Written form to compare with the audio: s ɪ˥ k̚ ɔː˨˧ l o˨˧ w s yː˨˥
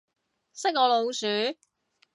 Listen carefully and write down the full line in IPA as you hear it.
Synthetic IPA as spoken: s ɪ˥ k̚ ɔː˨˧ l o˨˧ w s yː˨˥

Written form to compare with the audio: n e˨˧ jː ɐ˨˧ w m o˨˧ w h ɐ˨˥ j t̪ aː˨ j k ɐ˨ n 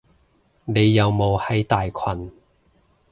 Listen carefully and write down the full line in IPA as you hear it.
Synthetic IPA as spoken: n e˨˧ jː ɐ˨˧ w m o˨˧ w h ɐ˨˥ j t̪ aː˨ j kʰ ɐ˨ n

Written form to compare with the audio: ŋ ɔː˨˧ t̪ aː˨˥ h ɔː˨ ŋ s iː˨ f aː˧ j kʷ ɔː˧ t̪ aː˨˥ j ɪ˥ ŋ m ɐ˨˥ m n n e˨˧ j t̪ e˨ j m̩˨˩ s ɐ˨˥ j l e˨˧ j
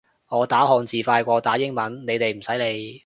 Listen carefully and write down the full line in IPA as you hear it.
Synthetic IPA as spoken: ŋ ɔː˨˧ t̪ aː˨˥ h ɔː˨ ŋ t͡s iː˨ f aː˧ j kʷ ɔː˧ t̪ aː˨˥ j ɪ˥ ŋ m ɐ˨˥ n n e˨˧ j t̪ e˨ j m̩˨˩ s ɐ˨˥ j l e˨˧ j

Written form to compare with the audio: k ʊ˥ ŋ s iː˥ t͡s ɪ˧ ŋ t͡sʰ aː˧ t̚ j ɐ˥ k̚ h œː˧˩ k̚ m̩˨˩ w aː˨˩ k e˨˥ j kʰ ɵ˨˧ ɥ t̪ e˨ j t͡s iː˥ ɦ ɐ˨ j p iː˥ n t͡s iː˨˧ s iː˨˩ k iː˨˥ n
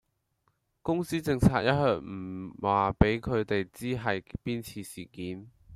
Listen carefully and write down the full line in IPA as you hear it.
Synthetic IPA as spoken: k ʊ˥ ŋ s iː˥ t͡s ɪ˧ ŋ t͡sʰ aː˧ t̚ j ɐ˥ t̚ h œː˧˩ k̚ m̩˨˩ w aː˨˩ p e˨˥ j kʰ ɵ˨˧ ɥ t̪ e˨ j t͡s iː˥ ɦ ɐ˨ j p iː˥ n t͡sʰ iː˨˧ s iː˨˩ k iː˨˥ n

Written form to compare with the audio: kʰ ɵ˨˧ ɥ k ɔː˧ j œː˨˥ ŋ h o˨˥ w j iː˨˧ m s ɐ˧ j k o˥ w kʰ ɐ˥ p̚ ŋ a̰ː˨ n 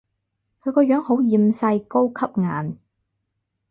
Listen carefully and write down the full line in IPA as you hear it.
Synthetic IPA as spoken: kʰ ɵ˨˧ ɥ k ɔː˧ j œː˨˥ ŋ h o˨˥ w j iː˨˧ m s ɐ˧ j k o˥ w kʰ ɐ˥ p̚ ŋ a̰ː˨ n

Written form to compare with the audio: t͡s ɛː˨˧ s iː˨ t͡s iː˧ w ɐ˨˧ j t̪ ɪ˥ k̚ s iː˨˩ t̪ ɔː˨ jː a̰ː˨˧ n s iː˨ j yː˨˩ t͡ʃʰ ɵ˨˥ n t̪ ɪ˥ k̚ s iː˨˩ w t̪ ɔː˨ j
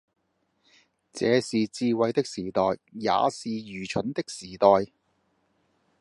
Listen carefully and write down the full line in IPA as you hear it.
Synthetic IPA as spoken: t͡s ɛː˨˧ s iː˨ t͡s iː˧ w ɐ˨˧ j t̪ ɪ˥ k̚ s iː˨˩ t̪ ɔː˨ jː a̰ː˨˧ s iː˨ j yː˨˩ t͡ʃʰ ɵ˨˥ n t̪ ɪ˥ k̚ s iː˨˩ t̪ ɔː˨ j

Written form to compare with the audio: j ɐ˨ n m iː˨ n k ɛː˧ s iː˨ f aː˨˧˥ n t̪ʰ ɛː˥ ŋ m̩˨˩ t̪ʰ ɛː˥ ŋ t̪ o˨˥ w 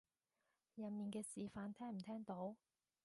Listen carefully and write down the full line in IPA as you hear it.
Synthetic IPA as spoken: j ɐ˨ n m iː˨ n k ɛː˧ s iː˨ f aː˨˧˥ n t̪ʰ ɛː˥ ŋ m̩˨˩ t̪ʰ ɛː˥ ŋ t̪ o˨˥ w

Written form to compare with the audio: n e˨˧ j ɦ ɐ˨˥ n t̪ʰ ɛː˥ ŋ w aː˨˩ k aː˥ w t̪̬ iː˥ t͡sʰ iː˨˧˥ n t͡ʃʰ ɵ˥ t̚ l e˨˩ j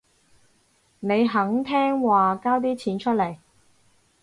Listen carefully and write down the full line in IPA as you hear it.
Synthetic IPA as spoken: n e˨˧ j ɦ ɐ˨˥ ŋ t̪ʰ ɛː˥ ŋ w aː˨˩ k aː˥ w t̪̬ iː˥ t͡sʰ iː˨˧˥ n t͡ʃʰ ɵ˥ t̚ l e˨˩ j

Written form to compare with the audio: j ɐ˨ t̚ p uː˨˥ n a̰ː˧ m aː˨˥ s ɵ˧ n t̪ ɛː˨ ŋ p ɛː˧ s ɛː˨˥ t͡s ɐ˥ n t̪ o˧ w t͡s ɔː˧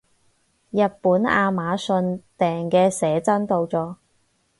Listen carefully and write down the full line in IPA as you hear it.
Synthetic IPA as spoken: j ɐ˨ t̚ p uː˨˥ n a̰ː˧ m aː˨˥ s ɵ˧ n t̪ ɛː˨ ŋ k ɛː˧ s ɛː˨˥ t͡s ɐ˥ n t̪ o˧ w t͡s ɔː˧

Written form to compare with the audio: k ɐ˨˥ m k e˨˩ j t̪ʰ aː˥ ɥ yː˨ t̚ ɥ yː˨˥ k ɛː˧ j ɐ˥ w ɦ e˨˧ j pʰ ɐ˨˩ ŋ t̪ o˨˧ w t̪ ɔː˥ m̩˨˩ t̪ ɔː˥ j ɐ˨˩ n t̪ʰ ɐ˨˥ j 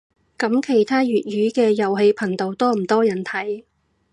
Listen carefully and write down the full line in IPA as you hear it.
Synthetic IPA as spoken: k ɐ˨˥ m kʰ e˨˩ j t̪ʰ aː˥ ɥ yː˨ t̚ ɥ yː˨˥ k ɛː˧ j ɐ˨˩ w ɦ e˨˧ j pʰ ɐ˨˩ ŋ t̪ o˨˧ w t̪ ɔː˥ m̩˨˩ t̪ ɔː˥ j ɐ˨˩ n t̪ʰ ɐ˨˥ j

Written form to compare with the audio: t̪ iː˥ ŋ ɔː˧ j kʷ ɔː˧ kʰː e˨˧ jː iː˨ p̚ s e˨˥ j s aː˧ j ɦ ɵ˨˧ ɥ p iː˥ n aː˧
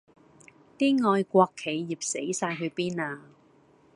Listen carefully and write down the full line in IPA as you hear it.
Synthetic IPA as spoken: t̪ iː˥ ŋ ɔː˧ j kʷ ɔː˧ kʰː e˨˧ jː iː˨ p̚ s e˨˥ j s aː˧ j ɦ ɵ˨˧ ɥ p iː˥ n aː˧

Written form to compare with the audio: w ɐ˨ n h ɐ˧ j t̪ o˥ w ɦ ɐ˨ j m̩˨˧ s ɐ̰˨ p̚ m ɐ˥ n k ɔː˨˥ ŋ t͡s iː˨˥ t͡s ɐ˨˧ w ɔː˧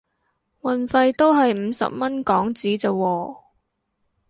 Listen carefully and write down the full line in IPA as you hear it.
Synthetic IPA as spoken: w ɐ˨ n f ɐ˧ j t̪ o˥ w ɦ ɐ˨ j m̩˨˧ s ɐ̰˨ p̚ m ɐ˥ n k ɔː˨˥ ŋ t͡s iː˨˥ t͡s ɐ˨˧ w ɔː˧

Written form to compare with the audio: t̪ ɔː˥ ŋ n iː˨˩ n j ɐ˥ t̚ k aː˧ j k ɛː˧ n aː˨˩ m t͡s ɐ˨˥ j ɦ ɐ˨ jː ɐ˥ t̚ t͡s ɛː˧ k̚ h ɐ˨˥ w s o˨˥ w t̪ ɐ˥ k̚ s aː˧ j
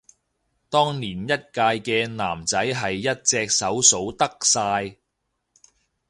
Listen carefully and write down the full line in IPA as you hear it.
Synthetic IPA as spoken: t̪ ɔː˥ ŋ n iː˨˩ n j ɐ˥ t̚ k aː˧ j k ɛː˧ n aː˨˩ m t͡s ɐ˨˥ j ɦ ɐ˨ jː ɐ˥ t̚ t͡s ɛː˧ k̚ s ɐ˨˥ w s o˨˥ w t̪ ɐ˥ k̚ s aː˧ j

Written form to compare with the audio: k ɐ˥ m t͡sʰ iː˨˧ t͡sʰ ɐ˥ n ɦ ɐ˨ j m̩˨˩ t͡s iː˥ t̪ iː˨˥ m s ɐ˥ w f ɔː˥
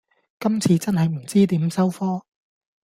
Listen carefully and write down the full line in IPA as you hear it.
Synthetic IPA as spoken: k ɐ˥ m t͡sʰ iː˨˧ t͡s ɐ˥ n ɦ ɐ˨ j m̩˨˩ t͡s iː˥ t̪ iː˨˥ m s ɐ˥ w f ɔː˥

